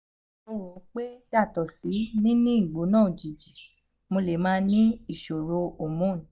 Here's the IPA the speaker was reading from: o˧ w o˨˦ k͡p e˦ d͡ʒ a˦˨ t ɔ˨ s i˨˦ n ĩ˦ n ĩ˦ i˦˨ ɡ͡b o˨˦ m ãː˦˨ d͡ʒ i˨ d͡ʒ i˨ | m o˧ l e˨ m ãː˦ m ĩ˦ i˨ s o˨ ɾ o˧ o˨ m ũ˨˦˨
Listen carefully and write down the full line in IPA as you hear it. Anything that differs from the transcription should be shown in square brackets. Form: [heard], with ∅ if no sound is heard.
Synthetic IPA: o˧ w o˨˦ k͡p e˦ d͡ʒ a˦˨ t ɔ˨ s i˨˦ n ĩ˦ n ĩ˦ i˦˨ ɡ͡b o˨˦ [n] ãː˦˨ d͡ʒ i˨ d͡ʒ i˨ | m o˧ l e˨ m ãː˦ [n] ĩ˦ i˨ [ʃ] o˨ ɾ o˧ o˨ m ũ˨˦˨